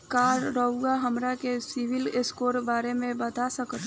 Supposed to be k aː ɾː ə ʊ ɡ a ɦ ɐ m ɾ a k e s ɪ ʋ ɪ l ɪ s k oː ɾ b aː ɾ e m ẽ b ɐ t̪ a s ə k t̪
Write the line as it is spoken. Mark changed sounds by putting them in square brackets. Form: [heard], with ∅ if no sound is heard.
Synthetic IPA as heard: k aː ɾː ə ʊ ɡ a ɦ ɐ m ɾ a k e s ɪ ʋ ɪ l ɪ s k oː ɾ b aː ɾ e m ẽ b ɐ t̪ a s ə k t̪